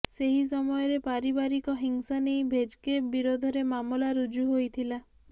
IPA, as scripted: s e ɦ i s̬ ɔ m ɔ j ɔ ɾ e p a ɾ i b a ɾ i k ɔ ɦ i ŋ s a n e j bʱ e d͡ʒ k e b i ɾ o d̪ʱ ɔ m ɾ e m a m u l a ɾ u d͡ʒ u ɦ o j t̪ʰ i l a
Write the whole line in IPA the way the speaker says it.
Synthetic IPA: s e ɦ i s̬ ɔ m ɔ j ɔ ɾ e p a ɾ i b a ɾ i k ɔ ɦ i ŋ s a n e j bʱ e d͡ʒ k e b i ɾ o d̪ʱ ɔ ɾ e m a m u l a ɾ u d͡ʒ u ɦ o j t̪ʰ i l a